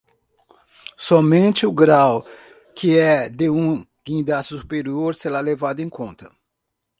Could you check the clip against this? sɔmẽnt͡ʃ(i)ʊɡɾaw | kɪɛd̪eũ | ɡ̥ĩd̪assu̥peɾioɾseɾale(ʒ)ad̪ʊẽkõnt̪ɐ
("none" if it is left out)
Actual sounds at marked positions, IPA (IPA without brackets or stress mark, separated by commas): ɪ, v